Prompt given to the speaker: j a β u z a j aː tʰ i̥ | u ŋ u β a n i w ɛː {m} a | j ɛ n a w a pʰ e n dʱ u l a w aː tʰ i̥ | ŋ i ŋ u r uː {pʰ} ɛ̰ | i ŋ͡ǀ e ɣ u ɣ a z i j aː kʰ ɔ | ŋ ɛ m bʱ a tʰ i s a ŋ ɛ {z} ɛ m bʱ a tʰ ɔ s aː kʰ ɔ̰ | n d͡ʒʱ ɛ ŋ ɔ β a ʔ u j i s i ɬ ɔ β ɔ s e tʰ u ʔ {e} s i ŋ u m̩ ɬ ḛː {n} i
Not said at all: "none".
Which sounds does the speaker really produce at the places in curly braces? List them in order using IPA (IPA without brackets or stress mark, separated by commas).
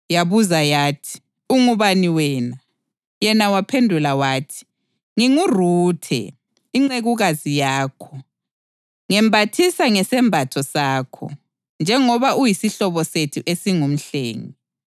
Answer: n, tʰ, s, e, ŋ